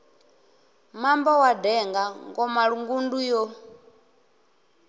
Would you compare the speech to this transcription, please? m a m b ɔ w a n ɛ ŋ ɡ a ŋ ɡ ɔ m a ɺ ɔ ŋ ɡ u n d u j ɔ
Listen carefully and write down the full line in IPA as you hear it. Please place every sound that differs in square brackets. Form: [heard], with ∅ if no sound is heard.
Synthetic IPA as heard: m a m b ɔ w a [d] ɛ ŋ ɡ a ŋ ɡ ɔ m a ɺ [u] ŋ ɡ u n d u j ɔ

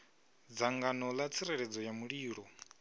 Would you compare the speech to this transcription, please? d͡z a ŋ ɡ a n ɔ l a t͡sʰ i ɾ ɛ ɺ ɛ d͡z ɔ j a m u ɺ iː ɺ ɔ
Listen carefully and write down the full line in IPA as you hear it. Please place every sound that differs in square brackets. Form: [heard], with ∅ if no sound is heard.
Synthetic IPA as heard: d͡z a ŋ ɡ a n ɔ l a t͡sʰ i ɾ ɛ ɺ ɛ d͡z ɔ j a m u ɺ iː ɺ ɔ

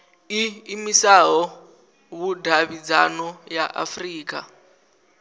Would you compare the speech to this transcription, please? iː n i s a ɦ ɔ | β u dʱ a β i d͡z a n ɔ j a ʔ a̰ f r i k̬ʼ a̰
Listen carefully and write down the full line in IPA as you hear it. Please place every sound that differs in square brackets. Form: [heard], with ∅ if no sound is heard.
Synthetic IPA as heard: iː [m] i s a ɦ ɔ | β u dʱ a β i d͡z a n ɔ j a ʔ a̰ f r [iː] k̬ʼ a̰

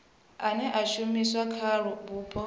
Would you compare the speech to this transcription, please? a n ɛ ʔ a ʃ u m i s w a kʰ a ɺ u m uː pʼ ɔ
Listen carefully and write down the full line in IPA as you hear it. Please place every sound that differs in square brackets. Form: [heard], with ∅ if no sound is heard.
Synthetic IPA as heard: a n ɛ ʔ a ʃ u m i s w a kʰ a ɺ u [b] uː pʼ ɔ

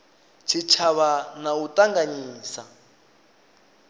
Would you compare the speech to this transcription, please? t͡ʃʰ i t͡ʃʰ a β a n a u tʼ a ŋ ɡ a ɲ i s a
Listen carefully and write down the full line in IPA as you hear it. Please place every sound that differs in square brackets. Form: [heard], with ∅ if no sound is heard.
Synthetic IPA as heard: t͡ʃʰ i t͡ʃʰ a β a n a u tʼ a ŋ ɡ a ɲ [iː] s a

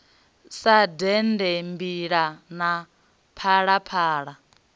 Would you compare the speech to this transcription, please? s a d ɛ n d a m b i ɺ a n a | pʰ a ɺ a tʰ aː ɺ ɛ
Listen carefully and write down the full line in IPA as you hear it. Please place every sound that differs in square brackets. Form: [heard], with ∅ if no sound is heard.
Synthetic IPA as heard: s a d ɛ n d [ɛ] m b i ɺ a n a | pʰ a ɺ a [pʰ] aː ɺ [a]

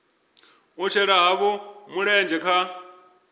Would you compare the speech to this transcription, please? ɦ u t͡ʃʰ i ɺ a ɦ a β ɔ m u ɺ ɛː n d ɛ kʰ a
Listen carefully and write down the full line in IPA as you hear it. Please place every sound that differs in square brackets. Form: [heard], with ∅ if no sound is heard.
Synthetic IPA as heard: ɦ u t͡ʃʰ [ɛ] ɺ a ɦ a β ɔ m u ɺ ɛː n [d͡ʒ] ɛ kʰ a

